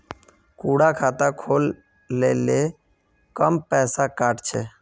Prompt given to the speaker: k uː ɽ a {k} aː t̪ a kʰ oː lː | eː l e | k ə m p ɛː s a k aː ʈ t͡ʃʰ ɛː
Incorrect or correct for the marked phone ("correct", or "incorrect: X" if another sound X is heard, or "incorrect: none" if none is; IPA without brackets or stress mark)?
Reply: incorrect: kʰ